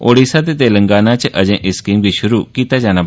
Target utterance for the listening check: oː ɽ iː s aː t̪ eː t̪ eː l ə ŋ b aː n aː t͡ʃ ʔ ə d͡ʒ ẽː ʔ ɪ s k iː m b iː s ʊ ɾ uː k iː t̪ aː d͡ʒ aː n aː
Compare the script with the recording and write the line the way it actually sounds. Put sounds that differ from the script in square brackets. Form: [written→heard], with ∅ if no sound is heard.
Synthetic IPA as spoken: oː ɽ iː s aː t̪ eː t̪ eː l ə ŋ [b→ɡ] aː n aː t͡ʃ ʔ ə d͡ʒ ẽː ʔ ɪ s k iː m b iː [s→ʃ] ʊ ɾ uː k iː t̪ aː d͡ʒ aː n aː

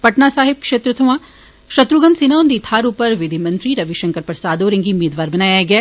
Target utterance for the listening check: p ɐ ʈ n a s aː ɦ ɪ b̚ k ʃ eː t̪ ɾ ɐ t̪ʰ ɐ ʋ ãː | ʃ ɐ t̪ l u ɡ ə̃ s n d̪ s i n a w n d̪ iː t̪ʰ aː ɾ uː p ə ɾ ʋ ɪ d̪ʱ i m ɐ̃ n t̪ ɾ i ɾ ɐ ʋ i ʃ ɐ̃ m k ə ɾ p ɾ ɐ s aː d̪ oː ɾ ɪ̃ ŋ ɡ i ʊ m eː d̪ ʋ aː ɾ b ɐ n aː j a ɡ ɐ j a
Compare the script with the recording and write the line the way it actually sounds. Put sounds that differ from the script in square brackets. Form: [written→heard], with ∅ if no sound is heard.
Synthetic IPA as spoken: p ɐ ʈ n a s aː ɦ ɪ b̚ k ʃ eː t̪ ɾ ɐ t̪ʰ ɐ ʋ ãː | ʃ ɐ t̪ [l→ɾ] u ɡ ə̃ [s→∅] n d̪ s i n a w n d̪ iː t̪ʰ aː ɾ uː p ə ɾ ʋ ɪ d̪ʱ i m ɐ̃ n t̪ ɾ i ɾ ɐ ʋ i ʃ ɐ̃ [m→ŋ] k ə ɾ p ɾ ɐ s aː d̪ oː ɾ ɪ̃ ŋ ɡ i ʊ m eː d̪ ʋ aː ɾ b ɐ n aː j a ɡ ɐ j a

